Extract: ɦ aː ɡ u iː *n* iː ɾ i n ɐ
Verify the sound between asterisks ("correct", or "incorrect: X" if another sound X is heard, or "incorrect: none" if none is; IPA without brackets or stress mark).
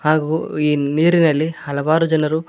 correct